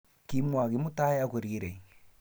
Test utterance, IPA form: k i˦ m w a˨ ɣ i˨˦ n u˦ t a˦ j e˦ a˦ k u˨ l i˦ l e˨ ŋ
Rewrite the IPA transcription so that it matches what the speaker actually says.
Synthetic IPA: k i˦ m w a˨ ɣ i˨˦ m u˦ t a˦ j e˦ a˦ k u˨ ɾ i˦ ɾ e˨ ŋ